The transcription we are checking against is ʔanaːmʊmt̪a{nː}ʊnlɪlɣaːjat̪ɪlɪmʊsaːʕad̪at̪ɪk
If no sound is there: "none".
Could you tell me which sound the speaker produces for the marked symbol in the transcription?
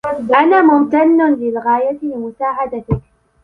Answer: nː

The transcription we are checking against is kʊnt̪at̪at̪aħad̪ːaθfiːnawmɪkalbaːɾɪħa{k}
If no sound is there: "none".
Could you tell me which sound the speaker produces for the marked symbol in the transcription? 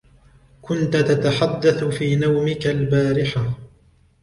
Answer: none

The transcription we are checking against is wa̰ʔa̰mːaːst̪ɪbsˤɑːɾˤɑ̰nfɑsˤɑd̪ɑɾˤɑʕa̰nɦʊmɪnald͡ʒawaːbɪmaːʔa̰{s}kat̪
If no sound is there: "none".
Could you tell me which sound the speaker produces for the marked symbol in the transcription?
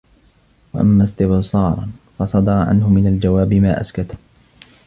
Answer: s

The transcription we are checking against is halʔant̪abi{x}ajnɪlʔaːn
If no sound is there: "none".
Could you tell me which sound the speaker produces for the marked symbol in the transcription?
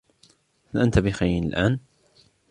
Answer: x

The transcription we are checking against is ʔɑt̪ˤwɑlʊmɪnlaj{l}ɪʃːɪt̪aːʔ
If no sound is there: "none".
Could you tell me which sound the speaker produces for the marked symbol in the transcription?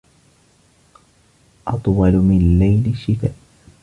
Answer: l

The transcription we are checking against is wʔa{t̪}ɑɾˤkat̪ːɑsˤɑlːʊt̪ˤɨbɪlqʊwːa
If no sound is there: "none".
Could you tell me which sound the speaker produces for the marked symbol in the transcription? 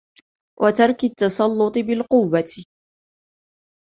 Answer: t̪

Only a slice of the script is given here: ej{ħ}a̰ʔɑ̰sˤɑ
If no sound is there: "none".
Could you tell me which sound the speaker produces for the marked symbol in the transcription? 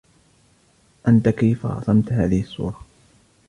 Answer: f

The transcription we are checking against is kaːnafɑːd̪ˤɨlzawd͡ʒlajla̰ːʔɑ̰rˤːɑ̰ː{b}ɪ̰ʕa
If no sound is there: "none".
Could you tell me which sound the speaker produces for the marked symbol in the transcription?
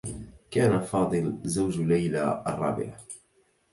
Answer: b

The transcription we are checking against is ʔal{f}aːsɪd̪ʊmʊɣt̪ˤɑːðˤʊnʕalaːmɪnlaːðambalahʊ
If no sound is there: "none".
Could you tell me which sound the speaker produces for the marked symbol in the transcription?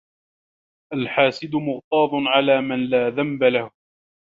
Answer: ħ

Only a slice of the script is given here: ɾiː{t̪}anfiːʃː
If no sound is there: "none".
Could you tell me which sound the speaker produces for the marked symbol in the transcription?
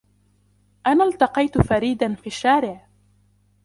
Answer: d̪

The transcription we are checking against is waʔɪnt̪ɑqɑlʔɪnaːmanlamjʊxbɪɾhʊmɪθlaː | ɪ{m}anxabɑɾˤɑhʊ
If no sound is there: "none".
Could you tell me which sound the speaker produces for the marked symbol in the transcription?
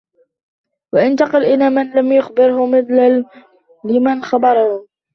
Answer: m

